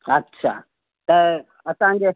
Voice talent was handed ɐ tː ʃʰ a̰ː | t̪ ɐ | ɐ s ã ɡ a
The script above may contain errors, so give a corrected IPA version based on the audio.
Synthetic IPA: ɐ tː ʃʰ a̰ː | t̪ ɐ | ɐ s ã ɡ e

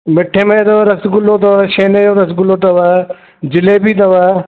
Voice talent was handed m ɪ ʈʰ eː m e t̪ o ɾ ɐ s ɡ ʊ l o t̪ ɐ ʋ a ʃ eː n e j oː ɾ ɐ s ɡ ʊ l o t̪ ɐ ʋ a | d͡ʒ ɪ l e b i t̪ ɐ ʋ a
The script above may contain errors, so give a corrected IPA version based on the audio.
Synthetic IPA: m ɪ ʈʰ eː m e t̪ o ɾ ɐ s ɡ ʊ l o t̪ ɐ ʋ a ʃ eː n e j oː ɾ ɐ s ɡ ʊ l o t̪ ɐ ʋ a | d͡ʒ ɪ l e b i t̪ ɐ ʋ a

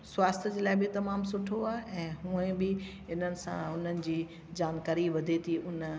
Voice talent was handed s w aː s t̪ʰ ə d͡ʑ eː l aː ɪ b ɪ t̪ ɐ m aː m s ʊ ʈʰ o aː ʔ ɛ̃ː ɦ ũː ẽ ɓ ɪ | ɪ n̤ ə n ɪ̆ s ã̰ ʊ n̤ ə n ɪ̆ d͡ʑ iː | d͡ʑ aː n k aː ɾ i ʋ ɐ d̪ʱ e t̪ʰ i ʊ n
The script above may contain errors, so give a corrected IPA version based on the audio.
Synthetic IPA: s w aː s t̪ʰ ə d͡ʑ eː l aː ɪ b ɪ t̪ ɐ m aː m s ʊ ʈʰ o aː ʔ ɛ̃ː ɦ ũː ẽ b ɪ | ɪ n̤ ə n ɪ̆ s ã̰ ʊ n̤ ə n ɪ̆ d͡ʑ iː | d͡ʑ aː n k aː ɾ i ʋ ɐ d̪ʱ e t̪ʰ i ʊ n

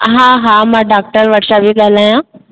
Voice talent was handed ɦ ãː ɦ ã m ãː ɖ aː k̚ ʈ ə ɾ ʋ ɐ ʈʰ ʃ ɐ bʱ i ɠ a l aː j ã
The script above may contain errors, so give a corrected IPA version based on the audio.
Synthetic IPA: ɦ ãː ɦ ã m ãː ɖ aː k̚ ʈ ə ɾ ʋ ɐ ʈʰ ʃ a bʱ i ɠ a l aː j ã

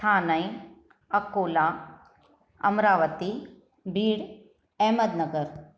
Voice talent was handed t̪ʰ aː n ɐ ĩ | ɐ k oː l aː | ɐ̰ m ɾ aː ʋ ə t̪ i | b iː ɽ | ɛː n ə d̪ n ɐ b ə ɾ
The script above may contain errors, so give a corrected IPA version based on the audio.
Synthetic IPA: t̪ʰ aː n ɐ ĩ | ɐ k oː l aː | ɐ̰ m ɾ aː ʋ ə t̪ i | b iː ɽ | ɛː m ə d̪ n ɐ ɡ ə ɾ

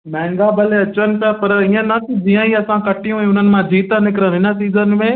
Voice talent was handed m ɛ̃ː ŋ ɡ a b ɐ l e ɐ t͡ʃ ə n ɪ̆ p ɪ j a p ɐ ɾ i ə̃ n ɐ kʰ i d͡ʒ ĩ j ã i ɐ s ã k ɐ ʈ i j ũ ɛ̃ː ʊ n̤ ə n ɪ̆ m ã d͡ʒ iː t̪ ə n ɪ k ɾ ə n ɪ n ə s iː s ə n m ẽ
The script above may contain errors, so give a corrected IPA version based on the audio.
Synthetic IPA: m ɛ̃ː ŋ ɡ a b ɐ l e ɐ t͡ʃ ə n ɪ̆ p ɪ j a p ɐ ɾ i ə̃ n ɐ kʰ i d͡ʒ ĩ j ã i ɐ s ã k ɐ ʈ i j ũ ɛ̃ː ʊ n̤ ə n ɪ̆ m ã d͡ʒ iː t̪ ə n ɪ k ɾ ə n ɪ n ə s iː z ə n m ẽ

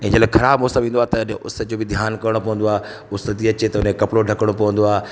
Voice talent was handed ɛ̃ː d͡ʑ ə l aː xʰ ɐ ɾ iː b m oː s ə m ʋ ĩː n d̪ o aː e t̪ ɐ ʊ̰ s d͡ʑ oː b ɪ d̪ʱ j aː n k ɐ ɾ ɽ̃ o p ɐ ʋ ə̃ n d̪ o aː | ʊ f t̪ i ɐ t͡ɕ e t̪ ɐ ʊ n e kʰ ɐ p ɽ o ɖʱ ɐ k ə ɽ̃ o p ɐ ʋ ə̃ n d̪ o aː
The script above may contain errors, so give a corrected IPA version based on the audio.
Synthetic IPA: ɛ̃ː d͡ʑ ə l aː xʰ ɐ ɾ aː b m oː s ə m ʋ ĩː n d̪ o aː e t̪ ɐ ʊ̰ s d͡ʑ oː b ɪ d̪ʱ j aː n k ɐ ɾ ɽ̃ o p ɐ ʋ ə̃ n d̪ o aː | ʊ s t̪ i ɐ t͡ɕ e t̪ ɐ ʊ n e k ɐ p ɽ o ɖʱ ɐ k ə ɽ̃ o p ɐ ʋ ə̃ n d̪ o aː

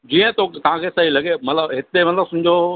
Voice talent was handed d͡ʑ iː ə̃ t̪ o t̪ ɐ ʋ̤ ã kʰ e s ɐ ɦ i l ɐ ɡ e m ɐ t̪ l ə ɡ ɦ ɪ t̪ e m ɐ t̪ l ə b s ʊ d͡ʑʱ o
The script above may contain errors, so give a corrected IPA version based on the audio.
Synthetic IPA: d͡ʑ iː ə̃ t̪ o t̪ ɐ ʋ̤ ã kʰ e s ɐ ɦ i l ɐ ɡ e m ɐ t̪ l ə b ɦ ɪ t̪ e m ɐ t̪ l ə b s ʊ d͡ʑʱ o

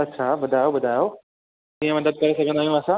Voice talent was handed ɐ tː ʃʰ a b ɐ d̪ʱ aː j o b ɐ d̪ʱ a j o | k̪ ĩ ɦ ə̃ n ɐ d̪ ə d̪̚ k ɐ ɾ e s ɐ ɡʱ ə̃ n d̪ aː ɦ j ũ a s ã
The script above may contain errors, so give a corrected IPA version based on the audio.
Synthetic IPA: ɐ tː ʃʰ a b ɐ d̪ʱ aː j o b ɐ d̪ʱ a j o | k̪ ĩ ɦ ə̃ m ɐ d̪ ə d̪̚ k ɐ ɾ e s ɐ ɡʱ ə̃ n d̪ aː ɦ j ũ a s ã

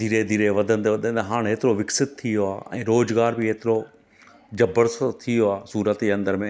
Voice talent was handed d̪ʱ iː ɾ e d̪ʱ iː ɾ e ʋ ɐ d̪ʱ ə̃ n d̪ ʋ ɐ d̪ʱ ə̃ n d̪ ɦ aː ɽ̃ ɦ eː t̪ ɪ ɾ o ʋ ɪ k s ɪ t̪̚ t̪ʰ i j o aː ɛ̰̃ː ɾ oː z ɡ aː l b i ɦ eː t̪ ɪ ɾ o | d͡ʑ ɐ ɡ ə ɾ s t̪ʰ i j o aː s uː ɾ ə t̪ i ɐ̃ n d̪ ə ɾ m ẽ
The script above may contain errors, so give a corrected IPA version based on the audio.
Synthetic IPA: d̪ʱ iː ɾ e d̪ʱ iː ɾ e ʋ ɐ d̪ʱ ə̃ n d̪ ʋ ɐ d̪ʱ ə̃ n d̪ ɦ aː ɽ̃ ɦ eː t̪ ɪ ɾ o ʋ ɪ k s ɪ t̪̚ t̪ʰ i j o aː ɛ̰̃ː ɾ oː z ɡ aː ɾ b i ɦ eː t̪ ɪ ɾ o | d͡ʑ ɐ b ə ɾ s t̪ʰ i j o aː s uː ɾ ə t̪ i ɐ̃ n d̪ ə ɾ m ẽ

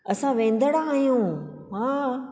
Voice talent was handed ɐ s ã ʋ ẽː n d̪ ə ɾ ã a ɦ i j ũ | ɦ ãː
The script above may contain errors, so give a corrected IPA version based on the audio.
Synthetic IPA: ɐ s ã ʋ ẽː n d̪ ə ɽ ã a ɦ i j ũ | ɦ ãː

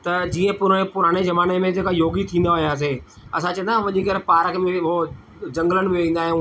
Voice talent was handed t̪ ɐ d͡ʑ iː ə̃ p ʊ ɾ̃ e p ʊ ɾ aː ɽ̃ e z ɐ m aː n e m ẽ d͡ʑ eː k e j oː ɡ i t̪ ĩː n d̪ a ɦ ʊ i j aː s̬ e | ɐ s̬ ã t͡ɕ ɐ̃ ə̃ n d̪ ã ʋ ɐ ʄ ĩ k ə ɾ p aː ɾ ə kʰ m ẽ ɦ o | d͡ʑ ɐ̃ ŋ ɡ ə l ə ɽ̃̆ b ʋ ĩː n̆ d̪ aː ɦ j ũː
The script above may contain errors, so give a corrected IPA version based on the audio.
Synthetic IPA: t̪ ɐ d͡ʑ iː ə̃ p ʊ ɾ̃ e p ʊ ɾ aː ɽ̃ e z ɐ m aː n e m ẽ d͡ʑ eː k a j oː ɡ i t̪ʰ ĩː n d̪ a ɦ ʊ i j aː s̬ e | ɐ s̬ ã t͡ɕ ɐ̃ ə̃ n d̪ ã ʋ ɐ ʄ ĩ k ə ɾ p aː ɾ ə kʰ m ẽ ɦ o | d͡ʑ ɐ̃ ŋ ɡ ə l ə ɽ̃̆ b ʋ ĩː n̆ d̪ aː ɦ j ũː

